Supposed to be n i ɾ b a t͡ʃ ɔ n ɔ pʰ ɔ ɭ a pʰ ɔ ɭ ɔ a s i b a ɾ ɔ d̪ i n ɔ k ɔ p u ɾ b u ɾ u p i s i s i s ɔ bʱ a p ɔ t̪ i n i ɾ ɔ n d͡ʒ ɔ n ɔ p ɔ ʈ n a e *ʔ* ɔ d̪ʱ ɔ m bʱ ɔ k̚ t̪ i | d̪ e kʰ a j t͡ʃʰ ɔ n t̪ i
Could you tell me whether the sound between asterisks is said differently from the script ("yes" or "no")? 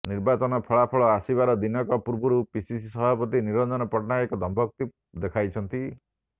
yes